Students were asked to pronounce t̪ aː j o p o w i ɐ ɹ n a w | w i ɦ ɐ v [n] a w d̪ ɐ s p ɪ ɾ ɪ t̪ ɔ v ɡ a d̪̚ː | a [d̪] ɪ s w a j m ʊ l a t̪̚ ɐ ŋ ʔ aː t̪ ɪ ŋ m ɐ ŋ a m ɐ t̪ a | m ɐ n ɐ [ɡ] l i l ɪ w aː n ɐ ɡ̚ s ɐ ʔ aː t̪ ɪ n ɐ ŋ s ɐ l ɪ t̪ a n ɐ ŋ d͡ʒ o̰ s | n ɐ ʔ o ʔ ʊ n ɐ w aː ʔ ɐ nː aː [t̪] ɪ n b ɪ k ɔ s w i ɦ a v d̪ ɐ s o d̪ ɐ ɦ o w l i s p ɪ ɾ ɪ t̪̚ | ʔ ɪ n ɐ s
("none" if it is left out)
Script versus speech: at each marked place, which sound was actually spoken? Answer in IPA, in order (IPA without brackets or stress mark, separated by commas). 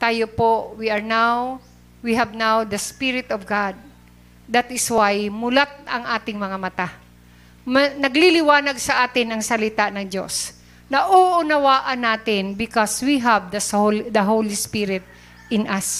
n, t̪, ɡ, t̪